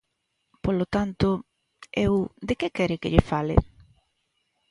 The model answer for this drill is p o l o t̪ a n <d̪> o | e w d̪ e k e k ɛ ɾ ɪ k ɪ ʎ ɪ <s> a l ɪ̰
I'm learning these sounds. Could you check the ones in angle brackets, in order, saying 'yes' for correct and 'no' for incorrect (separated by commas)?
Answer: no, no